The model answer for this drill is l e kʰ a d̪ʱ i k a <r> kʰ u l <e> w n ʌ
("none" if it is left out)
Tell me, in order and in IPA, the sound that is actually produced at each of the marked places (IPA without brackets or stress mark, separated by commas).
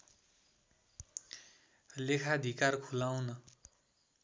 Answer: r, a